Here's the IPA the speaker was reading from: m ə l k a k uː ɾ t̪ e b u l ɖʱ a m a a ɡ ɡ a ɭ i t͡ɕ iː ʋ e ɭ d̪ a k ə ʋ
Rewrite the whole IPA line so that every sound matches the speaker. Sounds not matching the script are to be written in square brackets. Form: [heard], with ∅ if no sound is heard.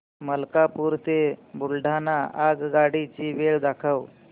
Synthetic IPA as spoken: m ə l k a [p] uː ɾ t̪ e b u l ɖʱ a [n] a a ɡ ɡ a [ɽ] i t͡ɕ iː ʋ e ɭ d̪ a [kʰ] ə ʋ